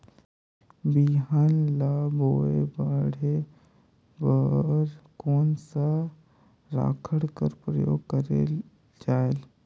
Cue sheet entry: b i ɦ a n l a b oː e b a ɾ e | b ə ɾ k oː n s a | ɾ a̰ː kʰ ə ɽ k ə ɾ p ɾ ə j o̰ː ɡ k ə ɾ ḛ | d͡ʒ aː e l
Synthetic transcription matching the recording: b i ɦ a n l a b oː e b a ɽ e | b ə ɾ k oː n s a | ɾ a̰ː kʰ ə ɽ k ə ɾ p ɾ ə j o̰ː ɡ k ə ɾ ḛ | d͡ʒ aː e l